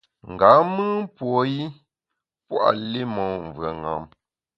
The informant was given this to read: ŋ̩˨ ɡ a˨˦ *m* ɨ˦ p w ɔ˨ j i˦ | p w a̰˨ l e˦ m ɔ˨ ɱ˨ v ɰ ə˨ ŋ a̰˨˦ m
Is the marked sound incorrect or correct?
correct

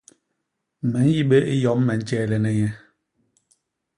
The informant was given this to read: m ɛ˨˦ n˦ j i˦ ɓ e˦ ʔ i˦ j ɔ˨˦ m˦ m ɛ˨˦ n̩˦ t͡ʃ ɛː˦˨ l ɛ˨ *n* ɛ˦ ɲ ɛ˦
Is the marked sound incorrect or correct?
correct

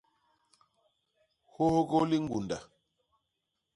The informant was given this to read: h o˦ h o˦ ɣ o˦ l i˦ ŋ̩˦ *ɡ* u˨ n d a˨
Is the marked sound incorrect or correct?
correct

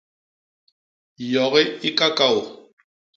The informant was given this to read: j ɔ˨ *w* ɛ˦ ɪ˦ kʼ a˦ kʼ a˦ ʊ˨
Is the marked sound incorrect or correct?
incorrect: ɣ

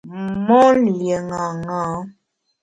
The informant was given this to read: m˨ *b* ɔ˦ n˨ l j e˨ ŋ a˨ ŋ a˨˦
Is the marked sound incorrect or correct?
incorrect: m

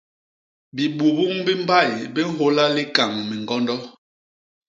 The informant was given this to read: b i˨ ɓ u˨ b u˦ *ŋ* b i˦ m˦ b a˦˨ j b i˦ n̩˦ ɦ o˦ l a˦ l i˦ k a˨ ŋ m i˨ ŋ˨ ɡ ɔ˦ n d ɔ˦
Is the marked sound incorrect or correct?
correct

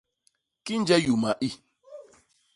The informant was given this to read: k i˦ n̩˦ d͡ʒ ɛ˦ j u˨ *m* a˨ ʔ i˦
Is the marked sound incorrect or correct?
correct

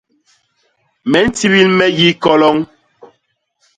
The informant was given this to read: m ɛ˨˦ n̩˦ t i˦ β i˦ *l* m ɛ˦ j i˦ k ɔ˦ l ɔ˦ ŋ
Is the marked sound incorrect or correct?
correct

